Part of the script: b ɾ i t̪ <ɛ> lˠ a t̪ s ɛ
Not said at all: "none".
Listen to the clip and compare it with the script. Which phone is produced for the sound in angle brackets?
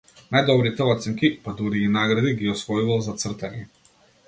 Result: ɛ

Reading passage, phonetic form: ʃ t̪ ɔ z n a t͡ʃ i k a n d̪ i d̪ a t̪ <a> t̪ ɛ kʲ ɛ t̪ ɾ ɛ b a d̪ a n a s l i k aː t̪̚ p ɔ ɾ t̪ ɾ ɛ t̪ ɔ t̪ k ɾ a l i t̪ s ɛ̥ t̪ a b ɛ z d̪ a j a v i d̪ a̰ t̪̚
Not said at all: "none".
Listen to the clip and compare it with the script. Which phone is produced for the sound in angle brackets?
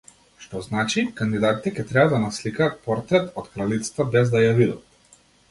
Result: i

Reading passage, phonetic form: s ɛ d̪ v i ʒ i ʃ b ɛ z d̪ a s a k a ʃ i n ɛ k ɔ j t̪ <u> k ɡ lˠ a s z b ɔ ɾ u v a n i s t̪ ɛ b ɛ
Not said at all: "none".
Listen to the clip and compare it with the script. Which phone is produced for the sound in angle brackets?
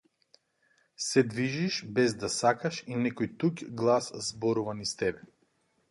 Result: u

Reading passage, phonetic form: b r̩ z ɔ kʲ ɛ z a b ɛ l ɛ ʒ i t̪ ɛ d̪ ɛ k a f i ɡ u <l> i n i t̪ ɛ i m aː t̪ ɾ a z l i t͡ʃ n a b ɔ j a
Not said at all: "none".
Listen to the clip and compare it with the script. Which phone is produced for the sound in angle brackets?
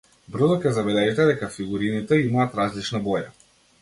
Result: ɾ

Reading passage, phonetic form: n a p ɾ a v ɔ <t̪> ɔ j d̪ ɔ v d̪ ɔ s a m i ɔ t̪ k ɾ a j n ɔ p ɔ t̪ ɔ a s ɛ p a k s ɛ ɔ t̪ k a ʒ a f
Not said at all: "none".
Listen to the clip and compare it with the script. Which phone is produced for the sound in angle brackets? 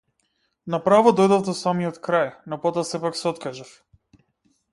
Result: d̪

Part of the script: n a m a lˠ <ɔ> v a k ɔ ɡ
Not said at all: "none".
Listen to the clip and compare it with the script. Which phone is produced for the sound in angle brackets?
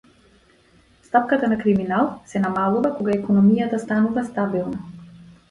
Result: u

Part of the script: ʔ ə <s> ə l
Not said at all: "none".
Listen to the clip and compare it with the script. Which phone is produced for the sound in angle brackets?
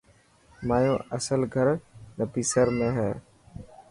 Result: s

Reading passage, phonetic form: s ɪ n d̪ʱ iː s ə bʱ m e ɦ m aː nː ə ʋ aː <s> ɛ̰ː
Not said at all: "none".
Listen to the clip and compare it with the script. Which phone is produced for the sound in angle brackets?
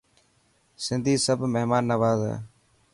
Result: z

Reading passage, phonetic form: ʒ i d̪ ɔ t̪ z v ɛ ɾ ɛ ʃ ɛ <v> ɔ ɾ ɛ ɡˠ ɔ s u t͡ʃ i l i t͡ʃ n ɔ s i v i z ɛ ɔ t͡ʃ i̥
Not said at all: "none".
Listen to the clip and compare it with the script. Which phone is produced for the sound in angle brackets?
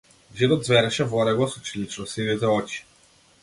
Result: v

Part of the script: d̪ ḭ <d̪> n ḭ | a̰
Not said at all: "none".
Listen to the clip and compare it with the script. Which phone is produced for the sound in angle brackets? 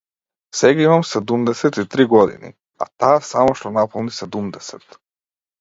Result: none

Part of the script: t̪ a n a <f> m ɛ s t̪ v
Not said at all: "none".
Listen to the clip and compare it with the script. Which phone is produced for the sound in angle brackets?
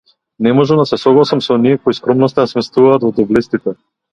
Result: s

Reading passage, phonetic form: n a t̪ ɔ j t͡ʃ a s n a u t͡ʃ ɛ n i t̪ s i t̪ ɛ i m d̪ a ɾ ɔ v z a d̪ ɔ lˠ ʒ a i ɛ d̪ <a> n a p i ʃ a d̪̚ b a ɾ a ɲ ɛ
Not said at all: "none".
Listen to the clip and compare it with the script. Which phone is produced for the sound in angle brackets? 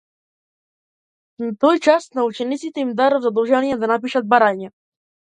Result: a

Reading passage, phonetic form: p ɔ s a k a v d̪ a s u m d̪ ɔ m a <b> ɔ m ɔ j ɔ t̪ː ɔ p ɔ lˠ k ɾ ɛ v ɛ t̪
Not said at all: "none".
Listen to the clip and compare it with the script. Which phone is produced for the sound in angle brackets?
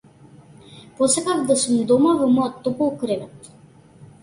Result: v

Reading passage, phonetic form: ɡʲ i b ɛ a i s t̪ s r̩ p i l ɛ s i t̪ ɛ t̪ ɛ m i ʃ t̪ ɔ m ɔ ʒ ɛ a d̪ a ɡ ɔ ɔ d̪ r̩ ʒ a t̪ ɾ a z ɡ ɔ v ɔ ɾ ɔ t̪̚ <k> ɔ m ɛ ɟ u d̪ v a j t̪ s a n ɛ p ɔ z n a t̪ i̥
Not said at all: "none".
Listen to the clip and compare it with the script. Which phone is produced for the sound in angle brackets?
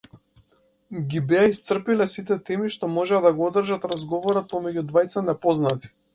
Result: p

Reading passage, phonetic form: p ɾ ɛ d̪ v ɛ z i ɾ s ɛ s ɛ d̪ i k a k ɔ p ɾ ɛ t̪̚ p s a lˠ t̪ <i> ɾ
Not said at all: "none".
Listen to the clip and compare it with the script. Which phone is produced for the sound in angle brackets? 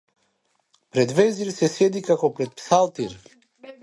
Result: i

